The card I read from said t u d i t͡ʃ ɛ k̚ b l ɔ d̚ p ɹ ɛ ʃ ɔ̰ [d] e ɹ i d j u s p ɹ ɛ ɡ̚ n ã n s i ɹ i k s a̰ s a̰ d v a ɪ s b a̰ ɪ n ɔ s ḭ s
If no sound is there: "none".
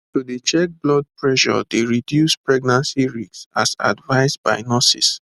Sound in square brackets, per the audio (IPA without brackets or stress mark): d